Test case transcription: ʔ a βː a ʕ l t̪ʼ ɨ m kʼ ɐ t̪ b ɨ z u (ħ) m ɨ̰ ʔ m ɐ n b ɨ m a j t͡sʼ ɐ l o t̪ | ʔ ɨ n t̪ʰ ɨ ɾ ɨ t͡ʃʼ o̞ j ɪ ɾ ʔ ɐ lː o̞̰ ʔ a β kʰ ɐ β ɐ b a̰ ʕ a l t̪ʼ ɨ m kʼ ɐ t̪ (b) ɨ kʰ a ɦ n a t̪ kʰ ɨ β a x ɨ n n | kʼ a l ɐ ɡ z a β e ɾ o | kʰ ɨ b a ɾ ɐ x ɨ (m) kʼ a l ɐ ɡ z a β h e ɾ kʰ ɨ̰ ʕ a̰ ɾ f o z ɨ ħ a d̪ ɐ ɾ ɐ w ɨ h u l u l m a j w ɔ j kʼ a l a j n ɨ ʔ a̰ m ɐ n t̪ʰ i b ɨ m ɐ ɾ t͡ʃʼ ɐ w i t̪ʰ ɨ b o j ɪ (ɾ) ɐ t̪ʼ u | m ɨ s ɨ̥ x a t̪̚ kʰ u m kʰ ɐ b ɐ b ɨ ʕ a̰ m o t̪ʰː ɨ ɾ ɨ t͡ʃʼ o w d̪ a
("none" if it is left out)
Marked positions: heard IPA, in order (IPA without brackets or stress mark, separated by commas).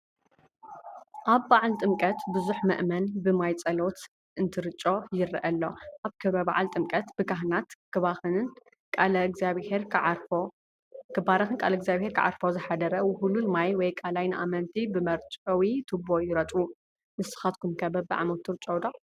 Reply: ħ, b, n, ɾ